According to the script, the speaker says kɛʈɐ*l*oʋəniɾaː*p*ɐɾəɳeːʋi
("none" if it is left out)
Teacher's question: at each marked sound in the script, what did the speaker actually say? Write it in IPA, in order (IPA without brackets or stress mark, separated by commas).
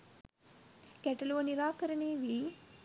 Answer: l, k